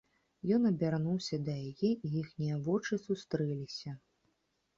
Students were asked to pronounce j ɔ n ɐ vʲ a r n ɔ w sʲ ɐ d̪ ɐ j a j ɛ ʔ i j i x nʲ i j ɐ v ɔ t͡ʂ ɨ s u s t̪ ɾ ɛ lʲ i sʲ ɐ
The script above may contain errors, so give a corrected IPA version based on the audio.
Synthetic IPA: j ɔ n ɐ bʲ a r n u w sʲ ɐ d̪ ɐ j a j ɛ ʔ i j i x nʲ i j ɐ v ɔ t͡ʂ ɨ s u s t̪ ɾ ɛ lʲ i sʲ ɐ